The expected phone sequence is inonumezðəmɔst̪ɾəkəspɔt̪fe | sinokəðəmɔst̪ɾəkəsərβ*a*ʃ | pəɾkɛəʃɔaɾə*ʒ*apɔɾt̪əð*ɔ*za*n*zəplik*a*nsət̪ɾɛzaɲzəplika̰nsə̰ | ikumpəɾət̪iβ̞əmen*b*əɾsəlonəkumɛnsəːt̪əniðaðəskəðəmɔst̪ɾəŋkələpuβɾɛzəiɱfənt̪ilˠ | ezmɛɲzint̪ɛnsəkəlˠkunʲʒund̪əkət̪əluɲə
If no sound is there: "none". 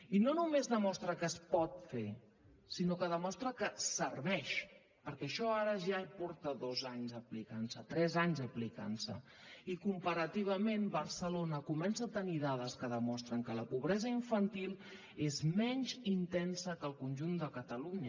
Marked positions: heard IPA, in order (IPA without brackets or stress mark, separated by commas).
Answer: ɛ, ʒ, o, ɲ, a, b